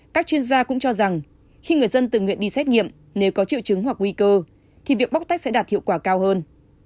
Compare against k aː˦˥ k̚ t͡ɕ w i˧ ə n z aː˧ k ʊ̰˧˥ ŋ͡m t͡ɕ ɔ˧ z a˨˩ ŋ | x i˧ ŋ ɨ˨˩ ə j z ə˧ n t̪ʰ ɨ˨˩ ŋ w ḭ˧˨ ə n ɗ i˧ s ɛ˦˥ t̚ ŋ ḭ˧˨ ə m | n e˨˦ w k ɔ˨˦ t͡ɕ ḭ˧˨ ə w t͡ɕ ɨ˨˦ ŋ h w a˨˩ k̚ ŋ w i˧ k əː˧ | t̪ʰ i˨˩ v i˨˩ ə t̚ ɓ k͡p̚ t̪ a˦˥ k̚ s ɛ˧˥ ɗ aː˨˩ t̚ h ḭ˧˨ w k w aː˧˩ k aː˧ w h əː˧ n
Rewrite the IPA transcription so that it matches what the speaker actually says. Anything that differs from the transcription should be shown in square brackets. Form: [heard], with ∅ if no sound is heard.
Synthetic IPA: k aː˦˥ k̚ t͡ɕ w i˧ ə n z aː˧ k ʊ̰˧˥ ŋ͡m t͡ɕ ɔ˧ z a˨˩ ŋ | x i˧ ŋ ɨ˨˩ ə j z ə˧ n [t̪] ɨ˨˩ ŋ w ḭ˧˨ ə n ɗ i˧ s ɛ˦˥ t̚ ŋ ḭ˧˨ ə m | n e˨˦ w k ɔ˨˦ t͡ɕ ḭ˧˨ ə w t͡ɕ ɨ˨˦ ŋ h w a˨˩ k̚ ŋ w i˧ k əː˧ | t̪ʰ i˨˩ v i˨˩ ə [k̚] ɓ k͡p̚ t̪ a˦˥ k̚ s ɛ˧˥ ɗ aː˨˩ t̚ h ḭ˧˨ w k w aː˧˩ k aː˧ w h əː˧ n